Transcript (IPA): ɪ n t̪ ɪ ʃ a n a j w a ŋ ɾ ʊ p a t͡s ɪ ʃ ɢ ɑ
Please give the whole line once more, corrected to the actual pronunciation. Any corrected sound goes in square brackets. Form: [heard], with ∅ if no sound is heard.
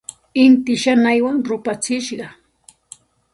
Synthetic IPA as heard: ɪ n t̪ ɪ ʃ a n a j w a ŋ ɾ ʊ p a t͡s ɪ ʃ ɢ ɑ